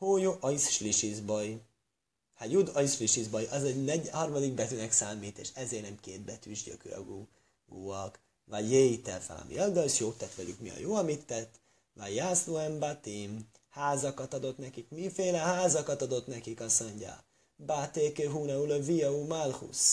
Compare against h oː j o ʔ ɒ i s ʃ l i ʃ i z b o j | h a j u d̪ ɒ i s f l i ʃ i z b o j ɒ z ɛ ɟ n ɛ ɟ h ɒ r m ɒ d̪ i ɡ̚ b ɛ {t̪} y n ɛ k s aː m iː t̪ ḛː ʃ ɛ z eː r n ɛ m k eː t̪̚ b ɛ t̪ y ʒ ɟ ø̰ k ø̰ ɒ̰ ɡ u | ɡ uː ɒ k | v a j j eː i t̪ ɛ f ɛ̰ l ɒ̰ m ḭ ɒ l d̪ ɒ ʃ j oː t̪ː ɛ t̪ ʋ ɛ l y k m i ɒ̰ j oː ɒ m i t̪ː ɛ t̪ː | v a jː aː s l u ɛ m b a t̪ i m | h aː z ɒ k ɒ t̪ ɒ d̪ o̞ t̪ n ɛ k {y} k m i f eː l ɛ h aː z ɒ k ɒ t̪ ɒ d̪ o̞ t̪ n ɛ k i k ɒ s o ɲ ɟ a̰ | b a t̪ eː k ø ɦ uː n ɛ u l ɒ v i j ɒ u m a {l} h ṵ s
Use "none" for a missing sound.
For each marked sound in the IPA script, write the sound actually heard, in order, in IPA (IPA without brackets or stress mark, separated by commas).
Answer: t̪, i, l